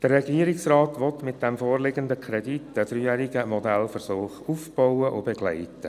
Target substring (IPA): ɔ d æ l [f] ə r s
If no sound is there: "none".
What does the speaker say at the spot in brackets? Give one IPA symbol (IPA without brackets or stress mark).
f